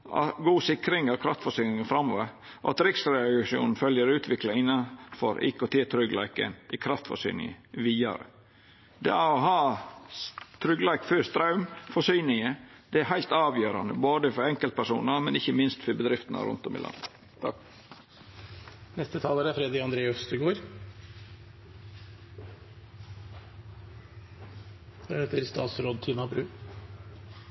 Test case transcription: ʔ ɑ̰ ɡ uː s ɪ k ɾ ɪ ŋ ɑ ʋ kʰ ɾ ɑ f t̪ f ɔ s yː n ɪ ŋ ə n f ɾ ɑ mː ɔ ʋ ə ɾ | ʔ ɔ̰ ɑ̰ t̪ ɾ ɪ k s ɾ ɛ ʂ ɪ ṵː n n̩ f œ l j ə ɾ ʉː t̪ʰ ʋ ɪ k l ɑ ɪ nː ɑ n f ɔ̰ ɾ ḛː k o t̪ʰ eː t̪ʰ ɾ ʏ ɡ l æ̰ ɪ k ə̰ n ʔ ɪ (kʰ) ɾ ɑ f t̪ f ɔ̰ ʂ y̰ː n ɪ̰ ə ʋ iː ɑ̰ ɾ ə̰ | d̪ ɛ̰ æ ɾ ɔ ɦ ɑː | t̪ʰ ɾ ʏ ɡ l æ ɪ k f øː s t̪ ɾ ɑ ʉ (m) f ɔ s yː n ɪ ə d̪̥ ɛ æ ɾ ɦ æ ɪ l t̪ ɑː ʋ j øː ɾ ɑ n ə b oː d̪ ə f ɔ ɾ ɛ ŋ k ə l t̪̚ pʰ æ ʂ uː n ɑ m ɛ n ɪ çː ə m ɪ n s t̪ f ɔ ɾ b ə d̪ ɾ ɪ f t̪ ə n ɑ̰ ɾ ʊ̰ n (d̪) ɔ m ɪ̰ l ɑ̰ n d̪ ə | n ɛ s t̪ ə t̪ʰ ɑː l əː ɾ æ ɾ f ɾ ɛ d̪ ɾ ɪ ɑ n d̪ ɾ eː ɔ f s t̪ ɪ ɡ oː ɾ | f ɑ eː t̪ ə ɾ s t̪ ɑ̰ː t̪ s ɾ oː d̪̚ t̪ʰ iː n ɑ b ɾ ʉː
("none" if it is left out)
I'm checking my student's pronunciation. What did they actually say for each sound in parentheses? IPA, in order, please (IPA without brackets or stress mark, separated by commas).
kʰ, m, t̪